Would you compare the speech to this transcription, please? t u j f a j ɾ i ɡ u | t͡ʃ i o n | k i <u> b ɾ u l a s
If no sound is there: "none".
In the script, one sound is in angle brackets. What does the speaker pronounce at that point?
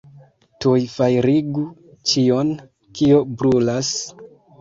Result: o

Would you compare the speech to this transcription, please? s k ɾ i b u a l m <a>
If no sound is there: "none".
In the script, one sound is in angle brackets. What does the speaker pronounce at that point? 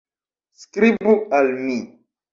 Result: i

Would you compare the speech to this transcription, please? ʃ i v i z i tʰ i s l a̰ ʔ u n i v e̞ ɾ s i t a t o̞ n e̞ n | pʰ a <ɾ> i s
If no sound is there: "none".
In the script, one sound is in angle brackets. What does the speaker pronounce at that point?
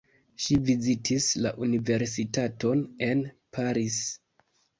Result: ɾ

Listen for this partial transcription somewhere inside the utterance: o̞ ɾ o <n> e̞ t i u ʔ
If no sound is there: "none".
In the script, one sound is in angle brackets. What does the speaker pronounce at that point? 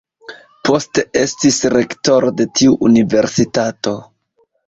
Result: d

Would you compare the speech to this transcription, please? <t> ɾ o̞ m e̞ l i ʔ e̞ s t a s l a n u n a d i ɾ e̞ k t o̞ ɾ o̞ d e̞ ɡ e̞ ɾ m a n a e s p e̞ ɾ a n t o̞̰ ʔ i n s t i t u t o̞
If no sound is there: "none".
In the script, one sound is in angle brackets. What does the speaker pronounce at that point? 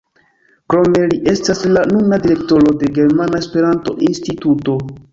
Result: k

